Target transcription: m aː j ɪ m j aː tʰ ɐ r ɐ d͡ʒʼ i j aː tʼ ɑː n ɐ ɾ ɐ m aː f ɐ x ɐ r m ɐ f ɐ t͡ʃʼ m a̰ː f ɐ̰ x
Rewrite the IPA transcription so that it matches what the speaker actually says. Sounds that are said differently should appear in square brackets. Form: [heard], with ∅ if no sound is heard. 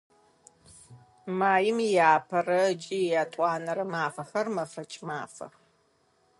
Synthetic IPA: m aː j ɪ m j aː [pʰ] ɐ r ɐ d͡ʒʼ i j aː tʼ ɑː n ɐ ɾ ɐ m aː f ɐ x ɐ r m ɐ f ɐ t͡ʃʼ m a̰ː f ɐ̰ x